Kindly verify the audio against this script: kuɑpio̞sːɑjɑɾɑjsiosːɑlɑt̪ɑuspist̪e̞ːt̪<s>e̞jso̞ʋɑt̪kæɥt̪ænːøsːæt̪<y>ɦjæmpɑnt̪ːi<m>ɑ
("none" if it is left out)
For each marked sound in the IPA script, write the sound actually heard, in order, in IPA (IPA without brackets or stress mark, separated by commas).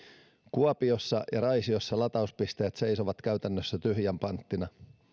s, y, n